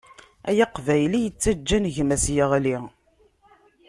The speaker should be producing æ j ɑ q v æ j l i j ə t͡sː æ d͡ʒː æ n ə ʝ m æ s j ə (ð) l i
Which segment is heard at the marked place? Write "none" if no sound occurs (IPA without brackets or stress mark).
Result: ʁ